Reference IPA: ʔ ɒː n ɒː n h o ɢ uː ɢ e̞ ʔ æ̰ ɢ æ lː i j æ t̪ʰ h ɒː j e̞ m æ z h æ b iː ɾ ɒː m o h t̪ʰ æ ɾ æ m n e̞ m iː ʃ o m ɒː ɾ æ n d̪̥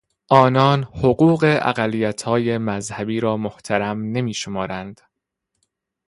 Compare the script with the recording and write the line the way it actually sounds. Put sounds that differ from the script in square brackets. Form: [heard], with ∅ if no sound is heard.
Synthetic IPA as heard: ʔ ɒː n ɒː n h o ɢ uː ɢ e̞ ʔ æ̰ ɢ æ lː i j æ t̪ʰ h ɒː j e̞ m æ z h æ b iː ɾ ɒː m o h t̪ʰ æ ɾ æ m n e̞ m iː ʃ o m ɒː ɾ æ n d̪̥